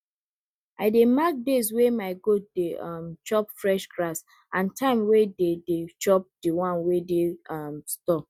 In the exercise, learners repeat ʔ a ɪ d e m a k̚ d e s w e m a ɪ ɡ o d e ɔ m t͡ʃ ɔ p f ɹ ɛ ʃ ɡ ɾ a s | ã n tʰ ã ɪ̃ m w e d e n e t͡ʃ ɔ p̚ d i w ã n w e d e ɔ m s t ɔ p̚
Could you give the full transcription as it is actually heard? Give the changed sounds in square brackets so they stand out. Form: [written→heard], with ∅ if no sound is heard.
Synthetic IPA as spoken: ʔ a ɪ d e m a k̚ d e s w e m a ɪ ɡ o d e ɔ m t͡ʃ ɔ p f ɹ ɛ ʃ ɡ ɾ a s | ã n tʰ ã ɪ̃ m w e d e [n→d] e t͡ʃ ɔ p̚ d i w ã n w e d e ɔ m s t ɔ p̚